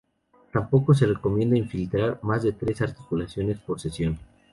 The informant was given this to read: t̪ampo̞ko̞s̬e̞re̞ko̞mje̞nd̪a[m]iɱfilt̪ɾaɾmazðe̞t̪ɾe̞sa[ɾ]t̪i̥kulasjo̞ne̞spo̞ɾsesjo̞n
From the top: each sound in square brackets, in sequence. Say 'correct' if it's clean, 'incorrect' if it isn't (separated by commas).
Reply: incorrect, correct